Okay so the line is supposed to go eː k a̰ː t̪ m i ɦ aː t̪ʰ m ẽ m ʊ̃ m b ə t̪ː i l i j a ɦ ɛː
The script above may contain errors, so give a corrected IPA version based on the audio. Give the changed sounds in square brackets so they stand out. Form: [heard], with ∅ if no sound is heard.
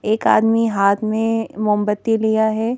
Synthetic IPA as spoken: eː k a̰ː [d̪] m i ɦ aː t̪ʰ m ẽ m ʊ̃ m b ə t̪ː i l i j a ɦ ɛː